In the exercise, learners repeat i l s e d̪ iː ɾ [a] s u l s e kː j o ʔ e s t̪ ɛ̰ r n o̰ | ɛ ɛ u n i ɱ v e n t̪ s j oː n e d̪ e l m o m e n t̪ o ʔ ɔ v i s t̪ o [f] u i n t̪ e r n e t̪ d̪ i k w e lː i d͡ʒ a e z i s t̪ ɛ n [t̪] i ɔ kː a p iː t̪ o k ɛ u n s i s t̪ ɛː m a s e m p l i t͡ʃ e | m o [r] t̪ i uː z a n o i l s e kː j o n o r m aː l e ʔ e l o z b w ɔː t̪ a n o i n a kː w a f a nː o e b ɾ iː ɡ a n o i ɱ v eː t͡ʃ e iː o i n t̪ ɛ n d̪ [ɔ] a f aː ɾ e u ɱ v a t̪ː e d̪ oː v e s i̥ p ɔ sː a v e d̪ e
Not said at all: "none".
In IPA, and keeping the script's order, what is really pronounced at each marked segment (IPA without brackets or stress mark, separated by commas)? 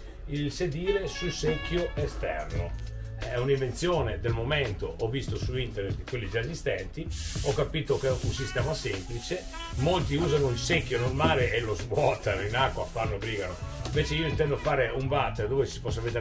e, s, t̪, l, o